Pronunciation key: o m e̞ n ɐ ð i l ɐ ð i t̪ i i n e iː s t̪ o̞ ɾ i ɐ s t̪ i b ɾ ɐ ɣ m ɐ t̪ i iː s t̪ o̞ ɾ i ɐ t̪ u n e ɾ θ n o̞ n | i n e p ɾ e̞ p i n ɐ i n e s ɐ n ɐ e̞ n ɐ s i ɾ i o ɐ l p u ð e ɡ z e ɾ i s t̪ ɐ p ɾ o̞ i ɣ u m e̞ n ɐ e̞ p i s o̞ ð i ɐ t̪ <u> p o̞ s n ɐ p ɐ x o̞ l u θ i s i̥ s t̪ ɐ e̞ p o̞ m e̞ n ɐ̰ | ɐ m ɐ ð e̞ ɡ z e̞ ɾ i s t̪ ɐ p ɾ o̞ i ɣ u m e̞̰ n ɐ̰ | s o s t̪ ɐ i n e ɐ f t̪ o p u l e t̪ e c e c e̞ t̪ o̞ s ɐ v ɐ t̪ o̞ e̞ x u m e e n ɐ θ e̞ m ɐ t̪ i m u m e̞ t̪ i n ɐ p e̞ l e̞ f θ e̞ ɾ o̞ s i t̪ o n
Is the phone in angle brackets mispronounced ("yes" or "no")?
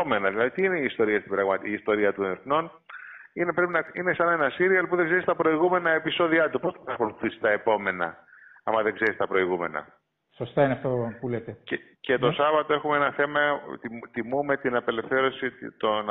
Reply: no